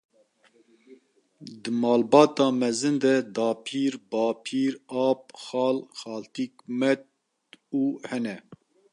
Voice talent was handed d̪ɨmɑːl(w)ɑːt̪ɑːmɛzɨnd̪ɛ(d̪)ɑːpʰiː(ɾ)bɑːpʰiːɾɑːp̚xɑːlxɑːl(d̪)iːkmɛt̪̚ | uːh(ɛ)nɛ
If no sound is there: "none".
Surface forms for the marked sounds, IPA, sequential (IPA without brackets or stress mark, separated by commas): b, d̪, ɾ, t̪, ɛ